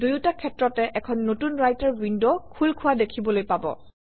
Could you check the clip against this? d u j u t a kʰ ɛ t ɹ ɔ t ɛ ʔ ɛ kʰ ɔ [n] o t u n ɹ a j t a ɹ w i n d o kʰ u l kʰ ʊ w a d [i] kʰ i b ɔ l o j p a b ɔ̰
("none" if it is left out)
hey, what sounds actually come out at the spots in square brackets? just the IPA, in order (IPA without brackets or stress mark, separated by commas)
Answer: nː, e